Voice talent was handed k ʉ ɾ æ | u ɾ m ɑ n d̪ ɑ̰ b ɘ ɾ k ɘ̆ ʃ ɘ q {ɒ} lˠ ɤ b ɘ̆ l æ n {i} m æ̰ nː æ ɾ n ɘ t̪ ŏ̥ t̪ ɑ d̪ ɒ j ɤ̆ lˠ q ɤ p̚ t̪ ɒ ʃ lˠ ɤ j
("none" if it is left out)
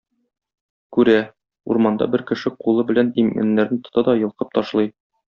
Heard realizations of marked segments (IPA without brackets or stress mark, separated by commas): u, i